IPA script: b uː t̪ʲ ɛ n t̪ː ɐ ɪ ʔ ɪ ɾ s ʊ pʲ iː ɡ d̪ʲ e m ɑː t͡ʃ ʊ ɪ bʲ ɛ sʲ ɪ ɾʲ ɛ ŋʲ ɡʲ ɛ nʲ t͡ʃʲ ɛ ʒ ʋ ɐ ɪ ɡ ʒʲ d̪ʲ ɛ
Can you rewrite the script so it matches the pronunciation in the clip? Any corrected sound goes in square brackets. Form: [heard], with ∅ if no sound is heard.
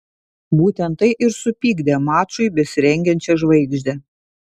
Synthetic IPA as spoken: b uː t̪ʲ ɛ n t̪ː ɐ ɪ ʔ ɪ ɾ s ʊ pʲ iː ɡ d̪ʲ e m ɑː t͡ʃ ʊ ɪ bʲ ɛ sʲ ɪ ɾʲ ɛ ŋʲ ɡʲ ɛ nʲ t͡ʃʲ ɛ ʒ ʋ ɐ ɪ ɡ ʒʲ d̪ʲ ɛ